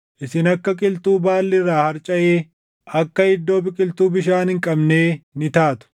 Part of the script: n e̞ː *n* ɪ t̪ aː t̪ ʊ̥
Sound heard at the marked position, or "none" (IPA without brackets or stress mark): n